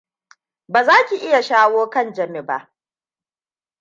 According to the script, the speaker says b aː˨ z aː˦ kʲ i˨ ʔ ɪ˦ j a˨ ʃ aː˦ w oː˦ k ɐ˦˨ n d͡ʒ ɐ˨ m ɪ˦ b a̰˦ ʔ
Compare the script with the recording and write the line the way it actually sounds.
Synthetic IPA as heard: b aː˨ z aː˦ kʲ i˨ ʔ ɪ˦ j a˨ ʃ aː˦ w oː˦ k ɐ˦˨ n d͡ʒ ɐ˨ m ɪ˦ b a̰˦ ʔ